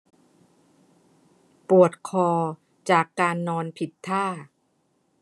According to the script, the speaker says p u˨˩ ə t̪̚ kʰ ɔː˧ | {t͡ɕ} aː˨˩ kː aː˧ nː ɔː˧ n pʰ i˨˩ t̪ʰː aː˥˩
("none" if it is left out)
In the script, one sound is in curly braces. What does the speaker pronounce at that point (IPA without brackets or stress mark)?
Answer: t͡ɕ